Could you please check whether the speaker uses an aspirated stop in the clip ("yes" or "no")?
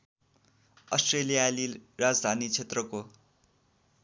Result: yes